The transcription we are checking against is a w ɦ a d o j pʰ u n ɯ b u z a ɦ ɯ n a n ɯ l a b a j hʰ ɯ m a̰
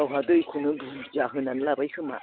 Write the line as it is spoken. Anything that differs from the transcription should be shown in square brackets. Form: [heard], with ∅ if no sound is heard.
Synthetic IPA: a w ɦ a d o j [kʰ] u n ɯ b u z a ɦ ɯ n a n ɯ l a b a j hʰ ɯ m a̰